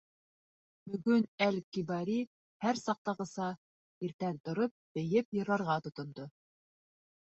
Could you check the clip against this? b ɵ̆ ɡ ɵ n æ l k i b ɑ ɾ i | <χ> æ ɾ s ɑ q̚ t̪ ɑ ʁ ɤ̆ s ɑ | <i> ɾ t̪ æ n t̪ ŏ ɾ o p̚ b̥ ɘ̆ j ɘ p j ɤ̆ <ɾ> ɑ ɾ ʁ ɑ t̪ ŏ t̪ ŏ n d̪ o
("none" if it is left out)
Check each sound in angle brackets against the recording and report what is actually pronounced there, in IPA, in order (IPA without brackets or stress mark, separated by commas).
h, i, ɾ